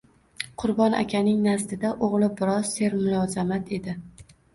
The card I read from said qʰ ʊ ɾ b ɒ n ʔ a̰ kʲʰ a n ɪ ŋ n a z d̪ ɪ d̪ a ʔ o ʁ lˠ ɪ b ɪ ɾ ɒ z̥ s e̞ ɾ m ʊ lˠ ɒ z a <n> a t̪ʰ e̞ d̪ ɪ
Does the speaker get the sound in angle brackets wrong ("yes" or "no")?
yes